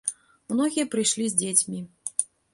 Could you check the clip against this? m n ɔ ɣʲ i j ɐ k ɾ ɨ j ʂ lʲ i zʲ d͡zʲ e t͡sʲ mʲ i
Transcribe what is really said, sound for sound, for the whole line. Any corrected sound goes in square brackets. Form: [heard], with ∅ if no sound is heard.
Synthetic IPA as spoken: m n ɔ ɣʲ i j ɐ [p] ɾ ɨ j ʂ lʲ i zʲ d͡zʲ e t͡sʲ mʲ i